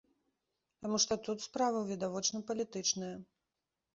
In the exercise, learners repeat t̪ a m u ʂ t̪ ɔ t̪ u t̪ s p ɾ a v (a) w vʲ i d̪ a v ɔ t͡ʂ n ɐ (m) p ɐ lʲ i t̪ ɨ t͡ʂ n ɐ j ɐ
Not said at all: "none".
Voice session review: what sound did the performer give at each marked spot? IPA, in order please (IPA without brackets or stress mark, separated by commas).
ɐ, none